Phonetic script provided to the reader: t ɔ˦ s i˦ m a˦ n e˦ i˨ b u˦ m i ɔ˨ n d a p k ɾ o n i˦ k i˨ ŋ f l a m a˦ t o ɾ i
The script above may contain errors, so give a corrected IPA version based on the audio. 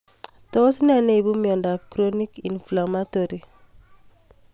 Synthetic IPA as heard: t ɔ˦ s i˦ n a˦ n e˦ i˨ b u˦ m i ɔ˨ n d a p k ɾ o n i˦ k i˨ n f l a m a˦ t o ɾ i